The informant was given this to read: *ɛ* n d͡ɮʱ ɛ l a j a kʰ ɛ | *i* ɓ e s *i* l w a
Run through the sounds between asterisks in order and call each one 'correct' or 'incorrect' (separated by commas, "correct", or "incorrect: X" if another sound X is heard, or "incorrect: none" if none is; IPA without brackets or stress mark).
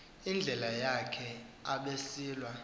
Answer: incorrect: i, incorrect: a, incorrect: iː